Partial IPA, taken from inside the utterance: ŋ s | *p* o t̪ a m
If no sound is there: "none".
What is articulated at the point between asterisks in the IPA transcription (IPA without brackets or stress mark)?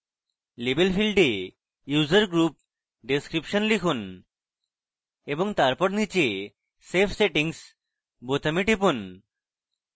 b